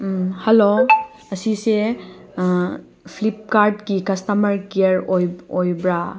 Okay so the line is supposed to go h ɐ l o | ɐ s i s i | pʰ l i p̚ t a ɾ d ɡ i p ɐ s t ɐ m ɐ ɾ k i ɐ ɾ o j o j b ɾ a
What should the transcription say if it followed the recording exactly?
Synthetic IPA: h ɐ l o | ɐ s i s e | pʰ l i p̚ k a ɾ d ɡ i k ɐ s t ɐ m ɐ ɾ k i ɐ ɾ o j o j b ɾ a

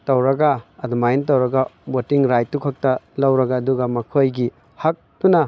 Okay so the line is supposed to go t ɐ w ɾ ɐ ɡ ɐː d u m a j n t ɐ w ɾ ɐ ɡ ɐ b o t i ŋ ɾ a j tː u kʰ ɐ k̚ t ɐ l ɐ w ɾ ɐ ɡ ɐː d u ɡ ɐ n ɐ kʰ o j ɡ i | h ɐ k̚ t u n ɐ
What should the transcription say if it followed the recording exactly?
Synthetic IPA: t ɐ w ɾ ɐ ɡ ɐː d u m a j n t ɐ w ɾ ɐ ɡ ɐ b o t i ŋ ɾ a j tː u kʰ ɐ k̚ t ɐ l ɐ w ɾ ɐ ɡ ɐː d u ɡ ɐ m ɐ kʰ o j ɡ i | h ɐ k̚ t u n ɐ

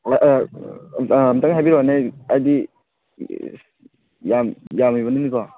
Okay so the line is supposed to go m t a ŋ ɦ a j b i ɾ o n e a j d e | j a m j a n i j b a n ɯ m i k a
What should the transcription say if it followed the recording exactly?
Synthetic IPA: m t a ŋ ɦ a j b i ɾ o n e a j d i | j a m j a m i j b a n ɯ n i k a

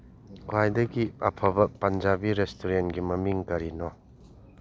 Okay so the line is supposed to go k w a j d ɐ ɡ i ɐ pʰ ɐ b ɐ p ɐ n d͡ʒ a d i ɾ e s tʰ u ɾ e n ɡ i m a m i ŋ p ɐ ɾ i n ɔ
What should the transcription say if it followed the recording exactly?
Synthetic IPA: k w a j d ɐ ɡ i ɐ pʰ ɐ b ɐ p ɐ n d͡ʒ a b i ɾ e s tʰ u ɾ e n ɡ i m ɐ m i ŋ k ɐ ɾ i n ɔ

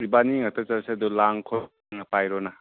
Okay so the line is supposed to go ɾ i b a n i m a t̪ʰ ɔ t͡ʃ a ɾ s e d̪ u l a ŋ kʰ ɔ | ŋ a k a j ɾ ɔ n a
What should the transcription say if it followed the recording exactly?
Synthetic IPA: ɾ i b a n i ŋ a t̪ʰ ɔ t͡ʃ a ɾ s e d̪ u l a ŋ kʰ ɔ | ŋ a p a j ɾ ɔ n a

